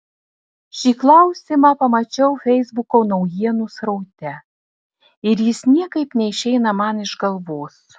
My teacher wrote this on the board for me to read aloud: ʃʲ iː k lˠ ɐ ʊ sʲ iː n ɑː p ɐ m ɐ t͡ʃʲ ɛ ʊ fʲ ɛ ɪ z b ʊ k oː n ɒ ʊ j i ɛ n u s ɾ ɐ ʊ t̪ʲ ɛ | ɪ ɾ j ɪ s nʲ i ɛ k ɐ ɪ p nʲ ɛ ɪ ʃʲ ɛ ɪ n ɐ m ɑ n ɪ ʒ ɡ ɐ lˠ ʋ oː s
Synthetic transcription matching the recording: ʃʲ iː k lˠ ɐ ʊ sʲ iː m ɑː p ɐ m ɐ t͡ʃʲ ɛ ʊ fʲ ɛ ɪ z b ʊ k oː n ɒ ʊ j i ɛ n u s ɾ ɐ ʊ t̪ʲ ɛ | ɪ ɾ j ɪ s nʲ i ɛ k ɐ ɪ p nʲ ɛ ɪ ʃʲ ɛ ɪ n ɐ m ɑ n ɪ ʒ ɡ ɐ lˠ ʋ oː s